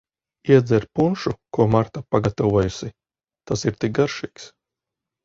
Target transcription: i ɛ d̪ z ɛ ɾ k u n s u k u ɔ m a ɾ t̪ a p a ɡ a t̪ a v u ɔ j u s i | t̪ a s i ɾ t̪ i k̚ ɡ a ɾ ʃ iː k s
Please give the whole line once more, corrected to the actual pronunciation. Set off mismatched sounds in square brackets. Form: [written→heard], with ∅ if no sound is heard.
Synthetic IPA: i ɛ d̪ z ɛ ɾ [k→p] u n [s→ʃ] u k u ɔ m a ɾ t̪ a p a ɡ a t̪ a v u ɔ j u s i | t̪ a s i ɾ t̪ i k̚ ɡ a ɾ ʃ iː k s

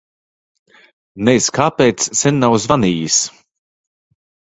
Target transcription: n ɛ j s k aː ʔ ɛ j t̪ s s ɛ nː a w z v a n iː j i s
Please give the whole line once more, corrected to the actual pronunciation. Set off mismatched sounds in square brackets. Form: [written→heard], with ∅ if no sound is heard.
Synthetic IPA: n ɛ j s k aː [ʔ→p] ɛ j t̪ s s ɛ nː a w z v a n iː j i s

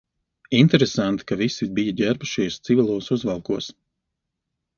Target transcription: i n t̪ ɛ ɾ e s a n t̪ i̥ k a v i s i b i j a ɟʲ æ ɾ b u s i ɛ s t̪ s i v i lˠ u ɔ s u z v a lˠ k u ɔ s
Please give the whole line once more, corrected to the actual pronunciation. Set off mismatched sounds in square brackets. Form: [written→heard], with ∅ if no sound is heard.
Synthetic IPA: i n t̪ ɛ ɾ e s a n t̪ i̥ k a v i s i b i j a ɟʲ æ ɾ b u [s→ʃ] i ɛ s t̪ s i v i lˠ u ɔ s u z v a lˠ k u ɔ s

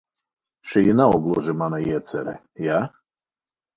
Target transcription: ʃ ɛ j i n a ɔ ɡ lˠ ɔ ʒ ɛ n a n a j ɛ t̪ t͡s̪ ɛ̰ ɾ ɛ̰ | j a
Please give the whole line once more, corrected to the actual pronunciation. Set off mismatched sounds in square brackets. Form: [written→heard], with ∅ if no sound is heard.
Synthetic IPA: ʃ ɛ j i n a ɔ ɡ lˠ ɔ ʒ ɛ [n→m] a n a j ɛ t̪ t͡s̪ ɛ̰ ɾ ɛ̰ | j a

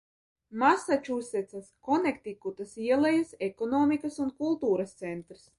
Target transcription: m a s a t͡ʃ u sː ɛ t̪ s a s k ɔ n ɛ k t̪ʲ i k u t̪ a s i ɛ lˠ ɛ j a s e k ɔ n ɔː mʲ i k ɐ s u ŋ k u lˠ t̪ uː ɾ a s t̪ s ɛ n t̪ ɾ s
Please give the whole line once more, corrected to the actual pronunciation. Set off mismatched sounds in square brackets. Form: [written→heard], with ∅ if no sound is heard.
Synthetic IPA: m a s a t͡ʃ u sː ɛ t̪ s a s k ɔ n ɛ k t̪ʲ i k u t̪ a s i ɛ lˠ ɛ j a s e k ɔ n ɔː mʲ i k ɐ s u [ŋ→n] k u lˠ t̪ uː ɾ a s t̪ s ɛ n t̪ ɾ s

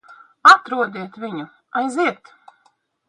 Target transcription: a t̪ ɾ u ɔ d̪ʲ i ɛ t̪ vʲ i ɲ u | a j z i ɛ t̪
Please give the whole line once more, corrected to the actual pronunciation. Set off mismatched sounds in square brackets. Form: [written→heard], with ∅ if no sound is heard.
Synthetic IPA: a t̪ ɾ u ɔ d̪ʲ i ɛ t̪ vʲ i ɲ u | a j z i ɛ t̪

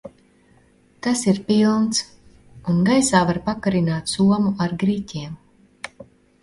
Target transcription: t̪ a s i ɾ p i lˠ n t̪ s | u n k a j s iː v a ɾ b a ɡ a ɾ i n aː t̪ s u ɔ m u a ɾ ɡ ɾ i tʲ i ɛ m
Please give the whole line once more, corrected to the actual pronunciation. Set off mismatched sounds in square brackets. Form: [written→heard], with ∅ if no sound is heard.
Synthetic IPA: t̪ a s i ɾ p i lˠ n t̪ s | u n [k→ɡ] a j s [iː→aː] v a ɾ [b→p] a [ɡ→k] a ɾ i n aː t̪ s u ɔ m u a ɾ ɡ ɾ i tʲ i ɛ m

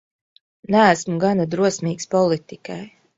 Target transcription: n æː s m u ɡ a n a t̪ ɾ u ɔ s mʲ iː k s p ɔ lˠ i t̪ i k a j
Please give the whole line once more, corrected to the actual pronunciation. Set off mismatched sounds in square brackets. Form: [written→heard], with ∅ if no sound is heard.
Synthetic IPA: n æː s m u ɡ a n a [t̪→d̪] ɾ u ɔ s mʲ iː k s p ɔ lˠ i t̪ i k a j

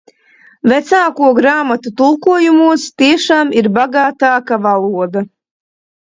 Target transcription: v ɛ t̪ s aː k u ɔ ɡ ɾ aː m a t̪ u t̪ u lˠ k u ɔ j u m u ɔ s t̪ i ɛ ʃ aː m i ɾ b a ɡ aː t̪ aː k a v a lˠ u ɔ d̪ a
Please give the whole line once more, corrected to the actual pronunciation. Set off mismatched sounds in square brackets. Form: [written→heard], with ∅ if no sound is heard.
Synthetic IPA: v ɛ t̪ s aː k u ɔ ɡ ɾ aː m a t̪ u t̪ u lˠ k u ɔ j u m u ɔ s t̪ i ɛ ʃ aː m i ɾ b a ɡ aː t̪ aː k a v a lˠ u ɔ d̪ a

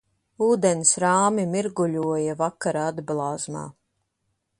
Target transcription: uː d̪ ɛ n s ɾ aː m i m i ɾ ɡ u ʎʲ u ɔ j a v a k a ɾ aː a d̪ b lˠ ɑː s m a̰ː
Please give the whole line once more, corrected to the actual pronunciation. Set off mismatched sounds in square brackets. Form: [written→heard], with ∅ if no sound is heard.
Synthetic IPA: uː d̪ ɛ n s ɾ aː m i m i ɾ ɡ u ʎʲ u ɔ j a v a k a ɾ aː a d̪ b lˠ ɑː [s→z] m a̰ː

